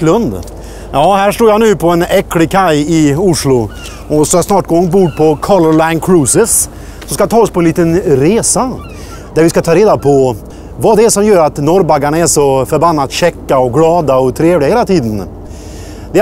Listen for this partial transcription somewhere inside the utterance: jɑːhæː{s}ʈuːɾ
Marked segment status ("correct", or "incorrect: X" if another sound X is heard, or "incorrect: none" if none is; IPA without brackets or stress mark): incorrect: ʂ